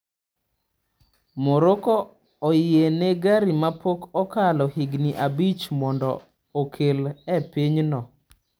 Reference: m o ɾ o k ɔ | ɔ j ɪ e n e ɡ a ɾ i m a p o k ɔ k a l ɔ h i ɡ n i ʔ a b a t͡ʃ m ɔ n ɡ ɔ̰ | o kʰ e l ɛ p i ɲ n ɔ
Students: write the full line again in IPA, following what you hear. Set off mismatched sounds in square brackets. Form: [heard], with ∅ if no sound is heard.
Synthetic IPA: m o ɾ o k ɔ | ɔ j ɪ e n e ɡ a ɾ i m a p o k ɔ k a l ɔ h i ɡ n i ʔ a b [i] t͡ʃ m ɔ n [d] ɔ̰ | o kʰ e l ɛ p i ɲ n ɔ